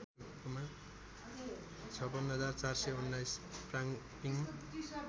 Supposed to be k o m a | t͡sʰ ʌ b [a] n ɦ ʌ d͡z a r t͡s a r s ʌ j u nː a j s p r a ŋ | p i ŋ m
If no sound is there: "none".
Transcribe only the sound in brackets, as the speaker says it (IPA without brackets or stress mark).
ʌ